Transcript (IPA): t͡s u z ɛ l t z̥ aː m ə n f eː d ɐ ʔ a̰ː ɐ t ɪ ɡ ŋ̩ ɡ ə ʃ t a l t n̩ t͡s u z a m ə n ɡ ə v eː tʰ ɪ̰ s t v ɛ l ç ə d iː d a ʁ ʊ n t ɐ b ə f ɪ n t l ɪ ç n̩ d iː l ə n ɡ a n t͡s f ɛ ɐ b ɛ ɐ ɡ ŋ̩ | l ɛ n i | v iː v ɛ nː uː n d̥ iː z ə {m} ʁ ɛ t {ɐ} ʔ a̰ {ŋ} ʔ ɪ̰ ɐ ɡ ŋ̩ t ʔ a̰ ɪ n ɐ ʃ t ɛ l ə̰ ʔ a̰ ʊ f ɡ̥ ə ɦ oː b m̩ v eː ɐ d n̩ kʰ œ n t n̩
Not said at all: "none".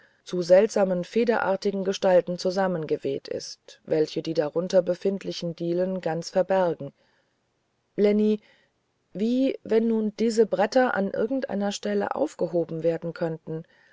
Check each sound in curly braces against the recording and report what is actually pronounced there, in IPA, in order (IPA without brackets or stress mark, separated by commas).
b, ɐ, n